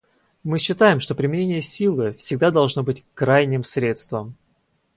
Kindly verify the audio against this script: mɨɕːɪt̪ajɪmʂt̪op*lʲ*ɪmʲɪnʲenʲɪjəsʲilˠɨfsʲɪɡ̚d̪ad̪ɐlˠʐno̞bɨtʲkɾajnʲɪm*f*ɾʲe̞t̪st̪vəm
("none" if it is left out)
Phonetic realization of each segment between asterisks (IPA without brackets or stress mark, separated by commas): ɾʲ, s